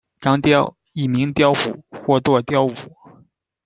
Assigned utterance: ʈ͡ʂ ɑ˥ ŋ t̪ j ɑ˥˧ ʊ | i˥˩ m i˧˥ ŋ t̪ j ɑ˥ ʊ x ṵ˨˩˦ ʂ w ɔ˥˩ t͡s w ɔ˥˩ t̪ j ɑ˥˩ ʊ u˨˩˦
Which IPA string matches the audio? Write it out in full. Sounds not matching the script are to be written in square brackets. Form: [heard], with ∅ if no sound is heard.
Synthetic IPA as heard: ʈ͡ʂ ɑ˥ ŋ t̪ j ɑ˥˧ ʊ | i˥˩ m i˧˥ ŋ t̪ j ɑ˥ ʊ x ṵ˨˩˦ [x] w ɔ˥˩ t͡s w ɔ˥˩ t̪ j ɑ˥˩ ʊ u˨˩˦